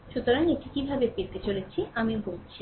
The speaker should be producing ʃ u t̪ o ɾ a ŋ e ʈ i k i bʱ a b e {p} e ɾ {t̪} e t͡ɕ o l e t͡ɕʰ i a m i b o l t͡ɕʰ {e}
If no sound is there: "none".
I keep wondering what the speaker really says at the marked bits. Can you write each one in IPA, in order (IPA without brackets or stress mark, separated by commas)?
p, t̪, i